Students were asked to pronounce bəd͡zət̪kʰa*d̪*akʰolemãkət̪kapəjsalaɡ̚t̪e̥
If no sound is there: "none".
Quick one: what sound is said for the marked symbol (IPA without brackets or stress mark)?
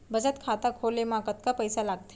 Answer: t̪